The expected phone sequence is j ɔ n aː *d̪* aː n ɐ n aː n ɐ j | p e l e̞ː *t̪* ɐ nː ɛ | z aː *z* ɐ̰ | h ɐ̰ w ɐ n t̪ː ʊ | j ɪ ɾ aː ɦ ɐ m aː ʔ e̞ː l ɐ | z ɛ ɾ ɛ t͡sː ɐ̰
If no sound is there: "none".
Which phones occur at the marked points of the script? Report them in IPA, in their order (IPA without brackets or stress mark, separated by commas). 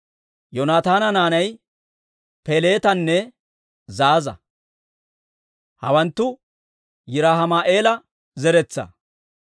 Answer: t̪, t̪, z